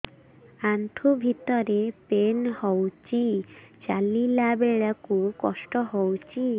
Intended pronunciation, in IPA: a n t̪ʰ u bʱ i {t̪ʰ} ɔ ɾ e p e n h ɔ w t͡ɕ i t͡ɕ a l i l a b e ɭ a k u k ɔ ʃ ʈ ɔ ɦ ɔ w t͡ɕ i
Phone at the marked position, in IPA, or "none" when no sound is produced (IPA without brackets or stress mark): t̪